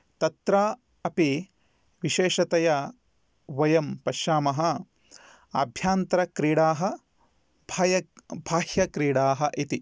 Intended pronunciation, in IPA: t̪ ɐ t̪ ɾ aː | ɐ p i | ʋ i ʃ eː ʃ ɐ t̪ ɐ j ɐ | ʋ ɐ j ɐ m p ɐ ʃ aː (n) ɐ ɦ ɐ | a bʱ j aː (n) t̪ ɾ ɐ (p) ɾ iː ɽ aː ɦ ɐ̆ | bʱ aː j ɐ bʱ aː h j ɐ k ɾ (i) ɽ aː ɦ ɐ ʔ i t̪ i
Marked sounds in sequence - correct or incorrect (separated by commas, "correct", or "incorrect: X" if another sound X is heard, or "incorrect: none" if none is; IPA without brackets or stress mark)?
incorrect: m, correct, incorrect: k, incorrect: iː